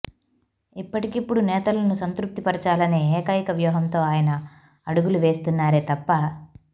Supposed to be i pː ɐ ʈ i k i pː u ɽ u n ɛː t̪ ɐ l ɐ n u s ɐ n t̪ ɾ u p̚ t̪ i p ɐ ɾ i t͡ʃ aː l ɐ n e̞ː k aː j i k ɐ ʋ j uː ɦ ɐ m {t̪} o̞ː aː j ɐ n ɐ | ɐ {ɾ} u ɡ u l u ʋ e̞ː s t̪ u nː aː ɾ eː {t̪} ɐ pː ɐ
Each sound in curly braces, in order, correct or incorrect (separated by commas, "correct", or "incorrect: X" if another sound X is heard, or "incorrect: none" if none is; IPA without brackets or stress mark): correct, incorrect: ɽ, correct